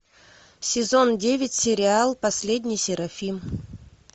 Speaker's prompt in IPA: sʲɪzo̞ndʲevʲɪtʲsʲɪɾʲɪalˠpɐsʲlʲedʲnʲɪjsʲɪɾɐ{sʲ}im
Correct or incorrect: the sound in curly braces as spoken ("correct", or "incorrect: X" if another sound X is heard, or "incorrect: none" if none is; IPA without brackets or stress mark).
incorrect: fʲ